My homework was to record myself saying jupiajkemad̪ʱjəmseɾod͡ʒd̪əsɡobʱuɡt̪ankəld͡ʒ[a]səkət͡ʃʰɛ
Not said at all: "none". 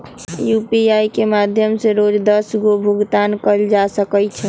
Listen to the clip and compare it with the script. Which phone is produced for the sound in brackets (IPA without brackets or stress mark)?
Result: a